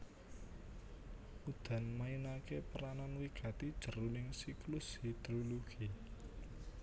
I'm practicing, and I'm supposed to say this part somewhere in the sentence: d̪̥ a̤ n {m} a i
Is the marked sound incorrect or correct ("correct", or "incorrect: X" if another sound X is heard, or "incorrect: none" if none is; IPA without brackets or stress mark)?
correct